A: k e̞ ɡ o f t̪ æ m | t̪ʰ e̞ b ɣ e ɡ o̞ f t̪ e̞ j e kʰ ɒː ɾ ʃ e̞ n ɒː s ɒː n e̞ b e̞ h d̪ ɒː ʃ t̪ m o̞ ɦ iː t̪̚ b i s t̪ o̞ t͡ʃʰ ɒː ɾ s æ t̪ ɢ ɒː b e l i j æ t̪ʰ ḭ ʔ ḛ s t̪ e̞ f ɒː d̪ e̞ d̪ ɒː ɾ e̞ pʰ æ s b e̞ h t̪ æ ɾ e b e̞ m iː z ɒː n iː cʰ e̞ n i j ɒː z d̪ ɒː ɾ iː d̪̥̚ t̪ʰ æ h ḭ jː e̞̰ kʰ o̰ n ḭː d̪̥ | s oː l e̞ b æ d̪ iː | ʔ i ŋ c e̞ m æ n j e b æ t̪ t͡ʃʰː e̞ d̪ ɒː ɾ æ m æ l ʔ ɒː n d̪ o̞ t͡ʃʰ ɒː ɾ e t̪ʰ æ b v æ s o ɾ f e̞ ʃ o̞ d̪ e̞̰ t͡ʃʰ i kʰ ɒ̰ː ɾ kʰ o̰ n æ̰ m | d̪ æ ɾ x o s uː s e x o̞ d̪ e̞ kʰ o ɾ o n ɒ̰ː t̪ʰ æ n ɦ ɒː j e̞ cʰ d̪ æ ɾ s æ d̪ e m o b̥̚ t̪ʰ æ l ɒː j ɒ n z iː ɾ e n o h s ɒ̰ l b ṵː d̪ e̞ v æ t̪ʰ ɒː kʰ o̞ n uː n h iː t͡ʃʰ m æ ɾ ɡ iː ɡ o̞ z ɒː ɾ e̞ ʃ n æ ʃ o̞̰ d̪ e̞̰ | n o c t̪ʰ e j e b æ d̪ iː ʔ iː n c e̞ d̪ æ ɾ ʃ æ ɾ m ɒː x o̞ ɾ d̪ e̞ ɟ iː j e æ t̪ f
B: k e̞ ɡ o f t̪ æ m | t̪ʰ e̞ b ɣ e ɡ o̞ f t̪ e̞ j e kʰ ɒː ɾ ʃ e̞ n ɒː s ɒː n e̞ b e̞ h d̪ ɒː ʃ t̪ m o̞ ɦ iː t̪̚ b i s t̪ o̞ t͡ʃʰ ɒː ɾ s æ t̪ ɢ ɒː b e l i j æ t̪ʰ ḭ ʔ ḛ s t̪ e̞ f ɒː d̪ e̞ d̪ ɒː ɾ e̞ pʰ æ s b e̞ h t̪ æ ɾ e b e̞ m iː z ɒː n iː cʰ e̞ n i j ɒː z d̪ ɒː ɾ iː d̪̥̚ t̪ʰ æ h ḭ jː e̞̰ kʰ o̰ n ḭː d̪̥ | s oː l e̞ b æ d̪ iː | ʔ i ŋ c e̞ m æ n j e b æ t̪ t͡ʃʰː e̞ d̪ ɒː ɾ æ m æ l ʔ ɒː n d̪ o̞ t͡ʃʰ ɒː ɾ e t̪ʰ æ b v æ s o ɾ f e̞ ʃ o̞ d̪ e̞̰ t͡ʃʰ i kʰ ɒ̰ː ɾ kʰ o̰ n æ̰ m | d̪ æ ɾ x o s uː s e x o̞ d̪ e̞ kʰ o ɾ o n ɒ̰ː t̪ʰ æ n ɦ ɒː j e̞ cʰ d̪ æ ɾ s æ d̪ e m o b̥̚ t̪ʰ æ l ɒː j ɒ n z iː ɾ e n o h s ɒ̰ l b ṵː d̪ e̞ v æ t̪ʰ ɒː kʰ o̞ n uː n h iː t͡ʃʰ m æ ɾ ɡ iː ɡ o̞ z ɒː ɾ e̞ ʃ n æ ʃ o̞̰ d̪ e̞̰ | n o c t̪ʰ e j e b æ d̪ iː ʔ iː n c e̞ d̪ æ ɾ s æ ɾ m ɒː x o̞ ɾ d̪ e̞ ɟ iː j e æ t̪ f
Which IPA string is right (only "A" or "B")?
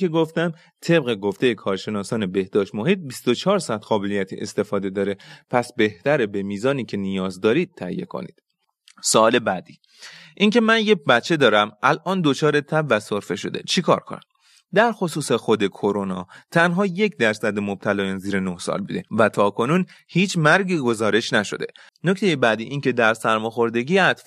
B